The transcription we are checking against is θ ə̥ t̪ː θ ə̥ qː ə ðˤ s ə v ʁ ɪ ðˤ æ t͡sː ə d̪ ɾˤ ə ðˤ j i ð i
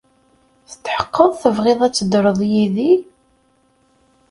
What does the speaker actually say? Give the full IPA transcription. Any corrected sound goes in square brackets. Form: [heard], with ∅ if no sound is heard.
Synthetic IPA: θ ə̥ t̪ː [ħ] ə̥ qː ə ðˤ [θ] ə v ʁ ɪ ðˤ æ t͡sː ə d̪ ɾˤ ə ðˤ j i ð i